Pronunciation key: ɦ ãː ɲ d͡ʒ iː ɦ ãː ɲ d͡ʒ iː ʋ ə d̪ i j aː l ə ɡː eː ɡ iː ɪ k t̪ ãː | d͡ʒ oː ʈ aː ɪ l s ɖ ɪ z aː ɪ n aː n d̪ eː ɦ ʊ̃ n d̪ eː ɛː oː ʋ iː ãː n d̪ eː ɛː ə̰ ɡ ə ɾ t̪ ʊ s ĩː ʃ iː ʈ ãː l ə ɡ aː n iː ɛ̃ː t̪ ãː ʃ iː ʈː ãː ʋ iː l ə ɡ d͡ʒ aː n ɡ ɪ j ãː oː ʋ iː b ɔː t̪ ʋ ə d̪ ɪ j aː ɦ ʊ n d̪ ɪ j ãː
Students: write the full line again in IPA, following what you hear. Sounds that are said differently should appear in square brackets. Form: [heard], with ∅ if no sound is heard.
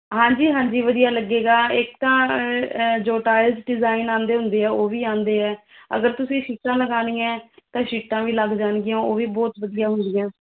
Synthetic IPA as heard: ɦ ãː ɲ d͡ʒ iː ɦ ãː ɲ d͡ʒ iː ʋ ə d̪ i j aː l ə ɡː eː ɡ [aː] ɪ k t̪ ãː | d͡ʒ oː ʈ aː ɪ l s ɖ ɪ z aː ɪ n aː n d̪ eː ɦ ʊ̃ n d̪ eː ɛː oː ʋ iː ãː n d̪ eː ɛː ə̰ ɡ ə ɾ t̪ ʊ s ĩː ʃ iː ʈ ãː l ə ɡ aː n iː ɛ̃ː t̪ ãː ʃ iː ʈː ãː ʋ iː l ə ɡ d͡ʒ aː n ɡ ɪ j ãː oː ʋ iː b ɔː t̪ ʋ ə d̪ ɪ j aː ɦ ʊ n d̪ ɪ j ãː